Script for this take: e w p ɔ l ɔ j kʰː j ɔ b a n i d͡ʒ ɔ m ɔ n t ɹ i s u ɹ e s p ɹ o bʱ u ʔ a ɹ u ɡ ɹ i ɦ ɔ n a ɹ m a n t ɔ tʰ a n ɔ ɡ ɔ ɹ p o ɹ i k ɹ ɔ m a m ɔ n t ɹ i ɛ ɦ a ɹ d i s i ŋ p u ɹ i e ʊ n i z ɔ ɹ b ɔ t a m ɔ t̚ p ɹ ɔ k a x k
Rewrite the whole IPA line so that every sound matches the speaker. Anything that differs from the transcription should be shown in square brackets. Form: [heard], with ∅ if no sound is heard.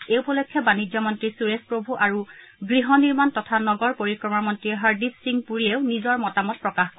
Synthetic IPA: e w p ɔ l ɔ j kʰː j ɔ b a n i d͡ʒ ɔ m ɔ n t ɹ i s u ɹ e s p ɹ o bʱ u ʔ a ɹ u ɡ ɹ i ɦ ɔ n [i] ɹ m a n t ɔ tʰ a n ɔ ɡ ɔ ɹ p o ɹ i k ɹ ɔ m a m ɔ n t ɹ i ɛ ɦ a ɹ d i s i ŋ p u ɹ i e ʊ n i z ɔ ɹ [m] ɔ t a m ɔ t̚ p ɹ ɔ k a x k